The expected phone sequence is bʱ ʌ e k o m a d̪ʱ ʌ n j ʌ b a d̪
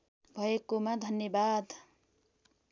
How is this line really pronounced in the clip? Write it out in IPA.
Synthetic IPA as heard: bʱ ʌ e k o m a d̪ʱ ʌ n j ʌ b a d̪